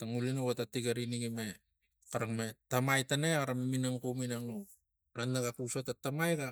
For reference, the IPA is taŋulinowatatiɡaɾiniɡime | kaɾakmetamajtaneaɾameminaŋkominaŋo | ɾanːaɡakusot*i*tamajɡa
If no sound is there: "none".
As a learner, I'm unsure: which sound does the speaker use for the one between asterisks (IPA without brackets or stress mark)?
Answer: a